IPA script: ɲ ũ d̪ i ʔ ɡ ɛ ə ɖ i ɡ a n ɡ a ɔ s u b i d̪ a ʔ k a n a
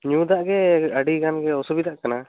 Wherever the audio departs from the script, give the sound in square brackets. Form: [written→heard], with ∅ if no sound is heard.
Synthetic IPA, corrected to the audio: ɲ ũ d̪ [i→a] ʔ ɡ ɛ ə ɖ i ɡ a n ɡ [a→ɛ] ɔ s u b i d̪ a ʔ k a n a